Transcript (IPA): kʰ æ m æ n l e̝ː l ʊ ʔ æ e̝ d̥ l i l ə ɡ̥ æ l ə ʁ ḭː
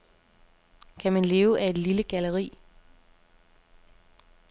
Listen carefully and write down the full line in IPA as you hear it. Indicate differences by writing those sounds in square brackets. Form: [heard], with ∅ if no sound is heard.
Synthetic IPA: kʰ æ m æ n l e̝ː [∅] ʊ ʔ æ e̝ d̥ l i l ə ɡ̥ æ l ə ʁ ḭː